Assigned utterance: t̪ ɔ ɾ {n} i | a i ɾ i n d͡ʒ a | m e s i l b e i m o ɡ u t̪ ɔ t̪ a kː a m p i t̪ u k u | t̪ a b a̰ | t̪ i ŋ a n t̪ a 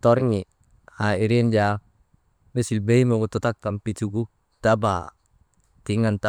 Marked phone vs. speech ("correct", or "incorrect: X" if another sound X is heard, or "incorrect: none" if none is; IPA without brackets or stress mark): incorrect: ŋ